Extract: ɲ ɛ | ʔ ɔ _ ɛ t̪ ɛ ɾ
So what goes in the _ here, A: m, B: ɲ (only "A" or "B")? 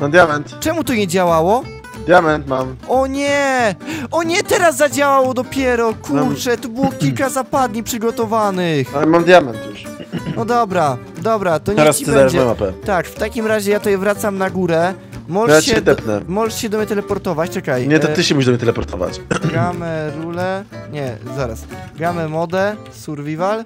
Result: B